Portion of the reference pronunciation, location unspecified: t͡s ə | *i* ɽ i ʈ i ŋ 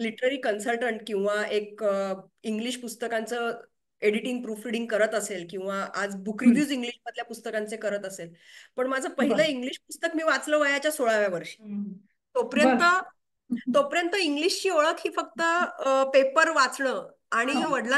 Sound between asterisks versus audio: incorrect: e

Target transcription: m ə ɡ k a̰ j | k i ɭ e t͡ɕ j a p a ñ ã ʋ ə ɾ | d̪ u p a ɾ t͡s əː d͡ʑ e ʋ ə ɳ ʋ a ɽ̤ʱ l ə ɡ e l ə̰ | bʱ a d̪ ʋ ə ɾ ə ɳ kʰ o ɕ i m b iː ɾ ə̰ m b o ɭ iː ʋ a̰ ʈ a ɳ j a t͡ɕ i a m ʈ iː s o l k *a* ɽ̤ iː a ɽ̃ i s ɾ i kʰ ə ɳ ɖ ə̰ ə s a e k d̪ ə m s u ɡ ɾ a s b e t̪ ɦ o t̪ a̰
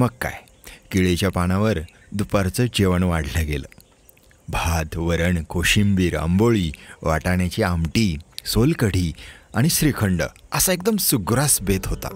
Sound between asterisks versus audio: incorrect: ə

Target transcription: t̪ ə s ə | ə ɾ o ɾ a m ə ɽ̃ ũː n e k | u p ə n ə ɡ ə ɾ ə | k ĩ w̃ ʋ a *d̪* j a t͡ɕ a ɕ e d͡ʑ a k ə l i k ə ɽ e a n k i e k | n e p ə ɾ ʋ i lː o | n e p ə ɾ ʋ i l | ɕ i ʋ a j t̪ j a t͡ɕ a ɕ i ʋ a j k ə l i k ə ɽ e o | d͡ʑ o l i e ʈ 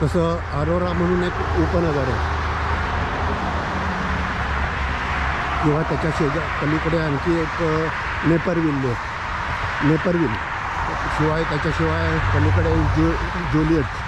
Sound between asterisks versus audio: incorrect: t̪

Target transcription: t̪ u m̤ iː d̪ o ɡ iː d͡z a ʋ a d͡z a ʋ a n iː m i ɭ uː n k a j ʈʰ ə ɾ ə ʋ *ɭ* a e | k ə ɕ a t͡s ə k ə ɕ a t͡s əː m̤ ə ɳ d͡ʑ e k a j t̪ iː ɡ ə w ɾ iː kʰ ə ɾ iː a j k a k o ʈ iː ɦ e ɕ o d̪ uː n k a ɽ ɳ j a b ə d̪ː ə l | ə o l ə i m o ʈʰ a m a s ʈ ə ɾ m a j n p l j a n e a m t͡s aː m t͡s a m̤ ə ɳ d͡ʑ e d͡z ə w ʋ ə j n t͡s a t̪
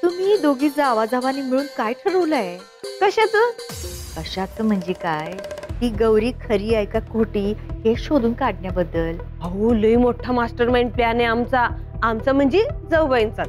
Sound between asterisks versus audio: incorrect: l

